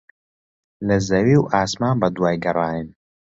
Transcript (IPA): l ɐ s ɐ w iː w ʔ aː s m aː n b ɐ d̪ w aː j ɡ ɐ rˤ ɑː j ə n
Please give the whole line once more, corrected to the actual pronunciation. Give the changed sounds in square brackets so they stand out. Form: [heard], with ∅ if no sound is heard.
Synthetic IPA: l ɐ [z] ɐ w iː w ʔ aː s m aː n b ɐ d̪ w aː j ɡ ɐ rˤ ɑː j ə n